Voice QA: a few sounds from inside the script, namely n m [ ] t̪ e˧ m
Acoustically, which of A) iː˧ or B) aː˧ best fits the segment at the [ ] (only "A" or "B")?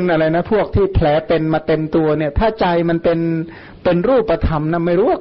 B